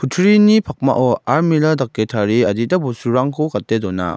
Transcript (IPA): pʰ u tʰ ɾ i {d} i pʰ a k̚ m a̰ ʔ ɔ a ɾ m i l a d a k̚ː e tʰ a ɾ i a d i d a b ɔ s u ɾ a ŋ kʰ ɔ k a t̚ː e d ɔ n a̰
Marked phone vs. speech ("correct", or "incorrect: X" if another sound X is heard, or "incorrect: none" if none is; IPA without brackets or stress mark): incorrect: n